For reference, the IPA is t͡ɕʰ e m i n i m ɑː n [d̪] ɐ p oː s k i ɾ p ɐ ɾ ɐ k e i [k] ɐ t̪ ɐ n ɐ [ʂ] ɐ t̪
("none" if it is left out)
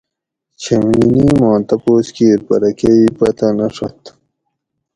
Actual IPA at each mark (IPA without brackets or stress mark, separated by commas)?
t̪, p, ʂ